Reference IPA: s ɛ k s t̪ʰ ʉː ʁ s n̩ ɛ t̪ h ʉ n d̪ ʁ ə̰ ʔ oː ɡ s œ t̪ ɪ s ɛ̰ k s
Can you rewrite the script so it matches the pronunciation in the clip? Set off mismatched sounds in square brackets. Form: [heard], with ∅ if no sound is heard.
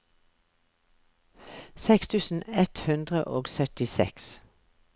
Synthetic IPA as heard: s ɛ k s t̪ʰ ʉː [∅] s n̩ ɛ t̪ h ʉ n d̪ ʁ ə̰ ʔ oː ɡ s œ t̪ ɪ s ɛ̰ k s